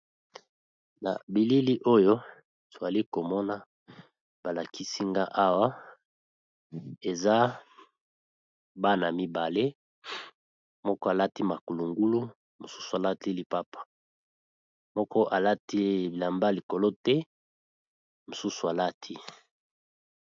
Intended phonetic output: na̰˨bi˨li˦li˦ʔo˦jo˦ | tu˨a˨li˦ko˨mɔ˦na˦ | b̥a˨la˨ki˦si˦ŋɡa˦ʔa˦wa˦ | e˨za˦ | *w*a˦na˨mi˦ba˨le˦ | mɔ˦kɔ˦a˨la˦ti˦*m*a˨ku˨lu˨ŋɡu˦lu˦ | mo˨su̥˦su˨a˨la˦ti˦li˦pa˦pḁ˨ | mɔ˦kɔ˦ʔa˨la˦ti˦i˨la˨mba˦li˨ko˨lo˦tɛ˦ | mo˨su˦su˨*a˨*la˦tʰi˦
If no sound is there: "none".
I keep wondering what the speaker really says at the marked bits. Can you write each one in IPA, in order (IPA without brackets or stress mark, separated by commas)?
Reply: b, m, a˨